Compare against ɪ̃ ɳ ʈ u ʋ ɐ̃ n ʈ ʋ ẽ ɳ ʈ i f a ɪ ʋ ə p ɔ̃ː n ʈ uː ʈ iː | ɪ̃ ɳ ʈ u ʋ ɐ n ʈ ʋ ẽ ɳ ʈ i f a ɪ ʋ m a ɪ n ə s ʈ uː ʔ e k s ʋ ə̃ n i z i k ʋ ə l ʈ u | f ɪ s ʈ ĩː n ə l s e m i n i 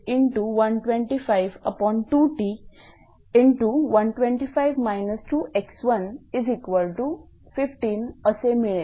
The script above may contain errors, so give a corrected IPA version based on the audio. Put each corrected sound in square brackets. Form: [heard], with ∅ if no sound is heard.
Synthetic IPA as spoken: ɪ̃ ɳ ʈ u ʋ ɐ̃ n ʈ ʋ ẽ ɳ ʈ i f a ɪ ʋ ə p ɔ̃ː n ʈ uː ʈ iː | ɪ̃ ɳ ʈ u ʋ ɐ n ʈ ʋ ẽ ɳ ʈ i f a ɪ ʋ m a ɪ n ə s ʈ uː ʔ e k s ʋ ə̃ n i z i k ʋ ə l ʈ u | f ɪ [f] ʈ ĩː n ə [∅] s e m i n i